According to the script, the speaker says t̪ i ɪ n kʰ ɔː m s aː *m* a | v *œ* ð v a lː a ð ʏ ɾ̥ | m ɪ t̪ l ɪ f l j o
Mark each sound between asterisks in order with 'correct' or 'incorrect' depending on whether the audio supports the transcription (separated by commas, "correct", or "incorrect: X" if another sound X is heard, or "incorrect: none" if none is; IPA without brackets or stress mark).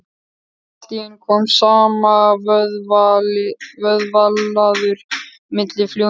correct, correct